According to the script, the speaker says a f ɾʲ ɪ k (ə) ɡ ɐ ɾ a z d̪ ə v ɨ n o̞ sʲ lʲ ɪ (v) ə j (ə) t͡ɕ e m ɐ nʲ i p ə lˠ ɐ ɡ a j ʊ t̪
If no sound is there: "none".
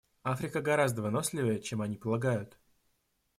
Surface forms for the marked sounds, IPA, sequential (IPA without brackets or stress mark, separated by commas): ə, v, ə